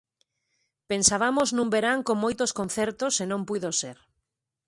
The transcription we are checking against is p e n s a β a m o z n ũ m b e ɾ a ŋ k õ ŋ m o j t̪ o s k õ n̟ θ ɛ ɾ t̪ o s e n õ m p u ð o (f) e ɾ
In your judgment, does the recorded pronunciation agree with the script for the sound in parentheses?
no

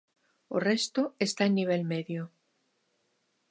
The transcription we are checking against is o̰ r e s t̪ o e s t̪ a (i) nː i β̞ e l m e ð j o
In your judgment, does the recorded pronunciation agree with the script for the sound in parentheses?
no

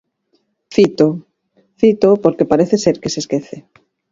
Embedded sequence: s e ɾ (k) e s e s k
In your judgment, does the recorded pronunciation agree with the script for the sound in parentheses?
yes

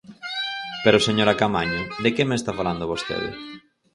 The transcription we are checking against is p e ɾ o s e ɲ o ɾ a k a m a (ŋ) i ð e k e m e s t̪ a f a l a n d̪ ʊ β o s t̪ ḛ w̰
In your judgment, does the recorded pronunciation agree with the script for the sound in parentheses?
no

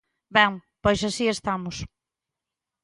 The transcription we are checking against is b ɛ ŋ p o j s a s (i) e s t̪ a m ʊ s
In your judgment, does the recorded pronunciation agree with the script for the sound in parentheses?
yes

